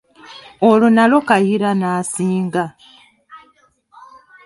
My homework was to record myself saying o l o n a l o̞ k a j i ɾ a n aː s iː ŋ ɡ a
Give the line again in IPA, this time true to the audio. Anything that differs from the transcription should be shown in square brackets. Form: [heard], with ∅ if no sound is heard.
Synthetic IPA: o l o n a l o̞ k a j i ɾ a n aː s iː ŋ ɡ a